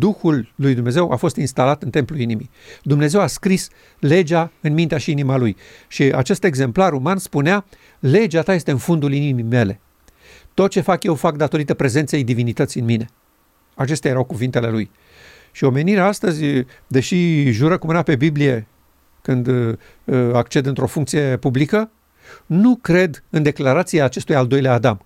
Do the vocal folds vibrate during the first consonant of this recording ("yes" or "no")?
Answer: yes